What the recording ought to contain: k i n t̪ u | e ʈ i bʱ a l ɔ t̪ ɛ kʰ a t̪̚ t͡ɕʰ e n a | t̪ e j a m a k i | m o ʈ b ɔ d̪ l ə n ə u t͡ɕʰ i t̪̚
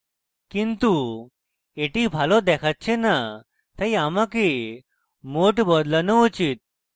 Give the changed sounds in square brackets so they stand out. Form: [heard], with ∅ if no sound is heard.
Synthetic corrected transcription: k i n t̪ u | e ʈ i bʱ a l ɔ [d̪] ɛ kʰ a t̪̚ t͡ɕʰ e n a | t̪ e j a m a k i | m o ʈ b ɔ d̪ l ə n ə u [t͡ɕ] i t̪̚